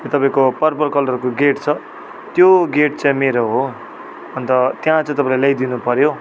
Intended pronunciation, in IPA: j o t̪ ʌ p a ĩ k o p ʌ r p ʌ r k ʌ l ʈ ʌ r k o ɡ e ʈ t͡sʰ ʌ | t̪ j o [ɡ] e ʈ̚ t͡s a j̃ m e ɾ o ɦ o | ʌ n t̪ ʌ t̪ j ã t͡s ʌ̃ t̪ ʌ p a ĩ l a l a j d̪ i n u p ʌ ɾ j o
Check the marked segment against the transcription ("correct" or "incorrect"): correct